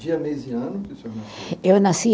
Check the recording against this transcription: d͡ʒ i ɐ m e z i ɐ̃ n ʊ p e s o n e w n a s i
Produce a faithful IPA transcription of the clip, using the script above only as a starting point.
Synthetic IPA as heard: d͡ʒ i ɐ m e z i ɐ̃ n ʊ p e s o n e w n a s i